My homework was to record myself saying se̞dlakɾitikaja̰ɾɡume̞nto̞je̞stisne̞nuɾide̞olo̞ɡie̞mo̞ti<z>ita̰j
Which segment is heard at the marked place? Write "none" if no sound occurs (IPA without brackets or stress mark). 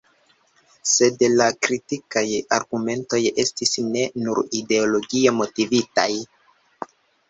v